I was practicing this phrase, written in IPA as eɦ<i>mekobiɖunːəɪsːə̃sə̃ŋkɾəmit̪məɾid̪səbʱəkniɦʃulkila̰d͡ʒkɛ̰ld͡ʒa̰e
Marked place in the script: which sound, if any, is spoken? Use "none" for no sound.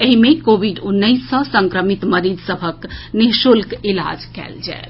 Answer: i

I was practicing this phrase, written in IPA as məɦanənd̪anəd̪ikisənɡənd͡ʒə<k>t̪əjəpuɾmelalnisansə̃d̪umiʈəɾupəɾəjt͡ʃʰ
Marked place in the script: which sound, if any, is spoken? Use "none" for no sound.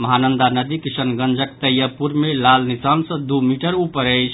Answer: k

